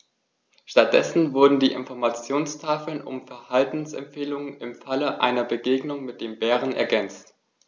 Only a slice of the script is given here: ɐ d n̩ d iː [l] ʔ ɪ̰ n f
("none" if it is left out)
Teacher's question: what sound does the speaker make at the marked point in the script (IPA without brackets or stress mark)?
none